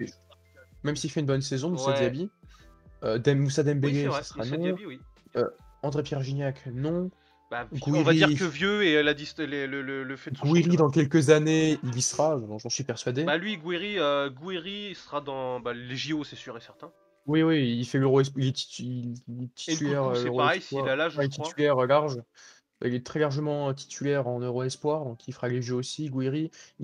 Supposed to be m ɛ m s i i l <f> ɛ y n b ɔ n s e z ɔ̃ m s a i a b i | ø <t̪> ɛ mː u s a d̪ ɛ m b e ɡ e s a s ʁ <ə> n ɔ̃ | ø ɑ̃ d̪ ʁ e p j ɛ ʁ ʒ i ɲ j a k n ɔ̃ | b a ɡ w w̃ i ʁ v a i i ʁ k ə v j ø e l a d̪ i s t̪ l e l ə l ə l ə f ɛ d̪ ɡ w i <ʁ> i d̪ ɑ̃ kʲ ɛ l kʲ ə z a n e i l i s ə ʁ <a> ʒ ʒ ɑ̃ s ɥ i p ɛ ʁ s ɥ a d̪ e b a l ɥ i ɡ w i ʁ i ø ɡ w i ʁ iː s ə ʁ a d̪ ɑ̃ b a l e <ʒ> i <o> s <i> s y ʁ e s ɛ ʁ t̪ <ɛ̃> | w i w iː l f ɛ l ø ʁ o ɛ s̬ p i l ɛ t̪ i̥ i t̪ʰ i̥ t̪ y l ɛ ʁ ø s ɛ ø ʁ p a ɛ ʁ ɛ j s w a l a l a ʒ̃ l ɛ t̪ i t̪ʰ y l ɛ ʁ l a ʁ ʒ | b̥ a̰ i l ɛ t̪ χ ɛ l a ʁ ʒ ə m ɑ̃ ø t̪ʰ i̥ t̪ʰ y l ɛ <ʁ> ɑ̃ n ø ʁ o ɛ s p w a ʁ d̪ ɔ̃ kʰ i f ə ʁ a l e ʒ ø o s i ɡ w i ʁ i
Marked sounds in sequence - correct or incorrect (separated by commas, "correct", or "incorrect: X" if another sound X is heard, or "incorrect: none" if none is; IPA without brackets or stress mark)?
correct, incorrect: d̪, incorrect: a, correct, correct, correct, correct, incorrect: ɛ, correct, correct